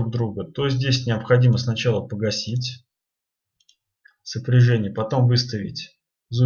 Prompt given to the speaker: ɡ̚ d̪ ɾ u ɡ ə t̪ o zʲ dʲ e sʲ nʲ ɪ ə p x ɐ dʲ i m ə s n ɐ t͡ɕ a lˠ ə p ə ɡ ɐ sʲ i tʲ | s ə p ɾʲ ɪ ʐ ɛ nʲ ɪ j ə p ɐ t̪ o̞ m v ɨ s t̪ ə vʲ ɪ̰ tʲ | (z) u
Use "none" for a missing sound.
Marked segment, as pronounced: z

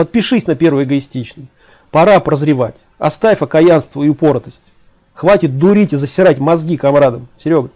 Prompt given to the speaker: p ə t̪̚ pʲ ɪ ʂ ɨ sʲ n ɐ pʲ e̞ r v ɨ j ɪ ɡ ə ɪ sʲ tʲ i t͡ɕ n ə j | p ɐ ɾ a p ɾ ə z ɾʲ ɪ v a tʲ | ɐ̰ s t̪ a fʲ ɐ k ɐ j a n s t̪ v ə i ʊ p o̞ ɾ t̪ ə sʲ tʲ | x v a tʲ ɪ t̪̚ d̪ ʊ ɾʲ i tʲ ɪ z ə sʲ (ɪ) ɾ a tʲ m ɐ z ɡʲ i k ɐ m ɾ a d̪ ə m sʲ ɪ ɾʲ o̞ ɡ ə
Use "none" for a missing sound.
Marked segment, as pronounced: ɪ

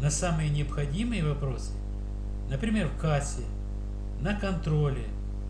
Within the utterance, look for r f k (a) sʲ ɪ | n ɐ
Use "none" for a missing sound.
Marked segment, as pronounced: a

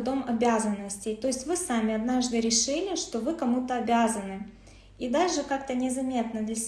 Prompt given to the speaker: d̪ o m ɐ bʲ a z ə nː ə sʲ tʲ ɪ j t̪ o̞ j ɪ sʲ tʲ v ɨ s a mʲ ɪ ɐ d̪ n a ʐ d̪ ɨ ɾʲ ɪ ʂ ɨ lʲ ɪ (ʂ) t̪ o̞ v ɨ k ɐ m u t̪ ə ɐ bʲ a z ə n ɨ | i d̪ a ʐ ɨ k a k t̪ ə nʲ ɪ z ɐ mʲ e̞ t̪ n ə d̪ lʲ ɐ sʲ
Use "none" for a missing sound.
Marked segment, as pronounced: ʂ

